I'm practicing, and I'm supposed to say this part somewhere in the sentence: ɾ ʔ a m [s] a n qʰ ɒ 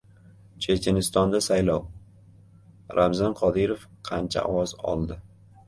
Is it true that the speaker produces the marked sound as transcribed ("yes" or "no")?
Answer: no